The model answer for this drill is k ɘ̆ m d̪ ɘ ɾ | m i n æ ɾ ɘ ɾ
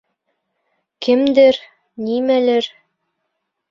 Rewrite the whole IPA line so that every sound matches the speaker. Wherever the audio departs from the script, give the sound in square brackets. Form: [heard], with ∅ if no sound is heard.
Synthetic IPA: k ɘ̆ m d̪ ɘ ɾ | [n] i [m] æ [l] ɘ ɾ